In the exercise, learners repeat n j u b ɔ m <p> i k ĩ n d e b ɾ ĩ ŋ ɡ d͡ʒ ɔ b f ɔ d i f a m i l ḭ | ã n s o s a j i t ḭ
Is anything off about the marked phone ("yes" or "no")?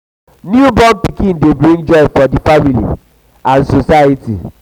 no